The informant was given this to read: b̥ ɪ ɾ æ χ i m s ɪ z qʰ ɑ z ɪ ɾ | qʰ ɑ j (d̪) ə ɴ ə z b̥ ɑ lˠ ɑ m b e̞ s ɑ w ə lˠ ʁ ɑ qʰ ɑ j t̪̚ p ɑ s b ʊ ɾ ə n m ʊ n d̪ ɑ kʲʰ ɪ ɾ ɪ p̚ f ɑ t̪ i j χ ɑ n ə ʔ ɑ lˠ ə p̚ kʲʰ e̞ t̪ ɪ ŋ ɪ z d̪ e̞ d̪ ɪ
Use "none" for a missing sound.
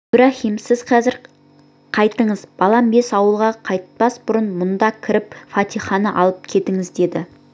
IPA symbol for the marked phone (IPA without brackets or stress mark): t̪